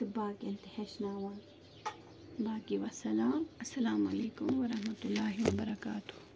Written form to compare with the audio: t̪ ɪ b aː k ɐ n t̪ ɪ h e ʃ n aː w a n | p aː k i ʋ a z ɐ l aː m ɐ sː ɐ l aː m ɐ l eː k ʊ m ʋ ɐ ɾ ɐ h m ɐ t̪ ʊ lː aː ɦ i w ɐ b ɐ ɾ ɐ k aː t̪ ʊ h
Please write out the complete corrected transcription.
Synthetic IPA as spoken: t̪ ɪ b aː k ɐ n t̪ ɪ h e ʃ n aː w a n | b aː k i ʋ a s ɐ l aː m ɐ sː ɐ l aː m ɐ l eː k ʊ m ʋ ɐ ɾ ɐ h m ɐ t̪ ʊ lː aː ɦ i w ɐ b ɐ ɾ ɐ k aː t̪ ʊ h